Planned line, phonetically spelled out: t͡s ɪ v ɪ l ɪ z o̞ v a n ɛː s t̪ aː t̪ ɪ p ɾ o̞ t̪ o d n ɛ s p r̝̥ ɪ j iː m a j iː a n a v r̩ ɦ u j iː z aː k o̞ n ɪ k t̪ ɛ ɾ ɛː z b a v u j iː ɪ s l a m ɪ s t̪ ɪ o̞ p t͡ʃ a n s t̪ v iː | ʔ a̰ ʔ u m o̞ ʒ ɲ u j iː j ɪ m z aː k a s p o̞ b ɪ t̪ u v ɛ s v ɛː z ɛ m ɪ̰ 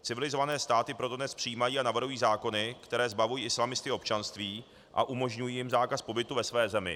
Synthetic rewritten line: t͡s ɪ v ɪ l ɪ z o̞ v a n ɛː s t̪ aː t̪ ɪ p ɾ o̞ t̪ o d n ɛ s p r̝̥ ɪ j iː m a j iː a n a v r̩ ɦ u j iː z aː k o̞ n ɪ k t̪ ɛ ɾ ɛː z b a v u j iː ɪ s l a m ɪ s t̪ ɪ o̞ p t͡ʃ a n s t̪ v iː | ʔ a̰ ʔ u m o̞ ʒ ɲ u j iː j ɪ m z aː k a s p o̞ b ɪ t̪ u v ɛ s v ɛː z ɛ m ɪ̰